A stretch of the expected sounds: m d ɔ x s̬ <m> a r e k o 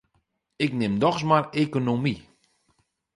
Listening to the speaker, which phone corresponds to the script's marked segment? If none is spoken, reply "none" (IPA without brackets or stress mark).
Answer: m